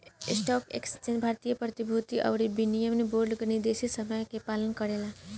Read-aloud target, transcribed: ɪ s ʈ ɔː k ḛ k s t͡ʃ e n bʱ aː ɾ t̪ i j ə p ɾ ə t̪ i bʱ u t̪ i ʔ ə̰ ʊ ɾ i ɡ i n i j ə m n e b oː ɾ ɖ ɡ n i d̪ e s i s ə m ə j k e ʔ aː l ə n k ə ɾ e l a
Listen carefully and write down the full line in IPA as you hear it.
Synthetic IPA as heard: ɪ s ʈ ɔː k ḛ k s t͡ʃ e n bʱ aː ɾ t̪ i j ə p ɾ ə t̪ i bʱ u t̪ i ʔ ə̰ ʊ ɾ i b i n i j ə m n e b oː ɾ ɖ ɡ n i d̪ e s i s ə m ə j k e p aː l ə n k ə ɾ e l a